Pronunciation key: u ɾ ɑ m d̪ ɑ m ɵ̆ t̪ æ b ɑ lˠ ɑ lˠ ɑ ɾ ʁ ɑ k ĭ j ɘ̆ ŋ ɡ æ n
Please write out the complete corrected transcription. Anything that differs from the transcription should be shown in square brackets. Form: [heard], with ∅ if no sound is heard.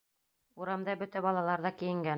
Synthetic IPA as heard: u ɾ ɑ m d̪ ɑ [b] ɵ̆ t̪ æ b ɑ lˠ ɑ lˠ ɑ ɾ [ð] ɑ k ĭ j ɘ̆ ŋ ɡ æ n